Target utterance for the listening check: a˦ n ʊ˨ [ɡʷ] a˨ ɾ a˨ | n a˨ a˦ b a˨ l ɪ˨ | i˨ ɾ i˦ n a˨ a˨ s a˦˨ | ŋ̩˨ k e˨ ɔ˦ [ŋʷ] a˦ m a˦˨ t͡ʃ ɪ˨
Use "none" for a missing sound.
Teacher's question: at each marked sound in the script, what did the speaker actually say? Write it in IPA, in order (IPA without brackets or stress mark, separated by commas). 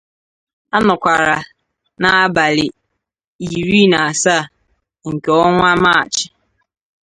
kʷ, ŋʷ